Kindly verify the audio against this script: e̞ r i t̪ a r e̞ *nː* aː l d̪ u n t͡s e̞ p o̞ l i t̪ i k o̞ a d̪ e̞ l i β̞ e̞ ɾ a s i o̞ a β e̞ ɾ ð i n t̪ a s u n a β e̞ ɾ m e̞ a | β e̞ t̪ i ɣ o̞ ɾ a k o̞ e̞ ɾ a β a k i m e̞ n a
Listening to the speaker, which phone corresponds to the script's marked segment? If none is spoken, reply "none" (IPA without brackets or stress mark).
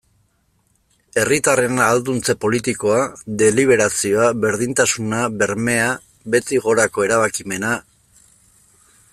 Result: n